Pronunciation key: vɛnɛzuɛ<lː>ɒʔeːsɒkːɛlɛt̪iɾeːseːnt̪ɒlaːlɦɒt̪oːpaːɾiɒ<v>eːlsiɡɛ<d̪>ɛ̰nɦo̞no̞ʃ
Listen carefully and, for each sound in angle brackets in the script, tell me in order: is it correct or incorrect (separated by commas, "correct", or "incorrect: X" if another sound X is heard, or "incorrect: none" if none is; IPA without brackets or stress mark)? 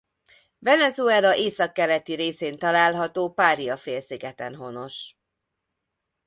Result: incorrect: l, incorrect: f, incorrect: t̪